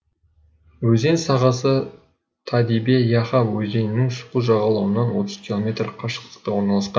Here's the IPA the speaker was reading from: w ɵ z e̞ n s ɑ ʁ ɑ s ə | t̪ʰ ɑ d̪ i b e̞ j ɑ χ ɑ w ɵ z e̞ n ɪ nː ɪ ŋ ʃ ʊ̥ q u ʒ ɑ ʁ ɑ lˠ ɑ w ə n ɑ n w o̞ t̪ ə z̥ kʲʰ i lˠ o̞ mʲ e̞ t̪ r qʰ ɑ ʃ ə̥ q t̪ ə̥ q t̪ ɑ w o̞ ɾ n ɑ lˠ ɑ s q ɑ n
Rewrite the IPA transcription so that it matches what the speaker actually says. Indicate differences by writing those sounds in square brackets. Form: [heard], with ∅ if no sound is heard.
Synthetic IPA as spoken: w ɵ z e̞ n s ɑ ʁ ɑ s ə | t̪ʰ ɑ d̪ i b e̞ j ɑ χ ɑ w ɵ z e̞ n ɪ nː ɪ ŋ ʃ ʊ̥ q u ʒ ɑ ʁ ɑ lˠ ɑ w ə n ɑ n w o̞ t̪ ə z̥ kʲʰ i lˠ o̞ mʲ e̞ t̪ r qʰ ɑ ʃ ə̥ q t̪ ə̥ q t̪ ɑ w o̞ ɾ n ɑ lˠ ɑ s q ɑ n